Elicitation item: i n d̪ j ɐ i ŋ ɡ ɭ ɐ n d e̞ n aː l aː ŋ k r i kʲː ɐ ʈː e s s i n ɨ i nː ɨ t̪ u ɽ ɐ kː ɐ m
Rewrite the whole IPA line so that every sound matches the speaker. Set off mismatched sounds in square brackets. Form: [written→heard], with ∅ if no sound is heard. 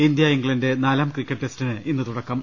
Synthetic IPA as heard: i n d̪ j ɐ i ŋ ɡ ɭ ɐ n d e̞ n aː l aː [ŋ→m] k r i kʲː ɐ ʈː e s [s→t] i n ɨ i nː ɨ t̪ u ɽ ɐ kː ɐ m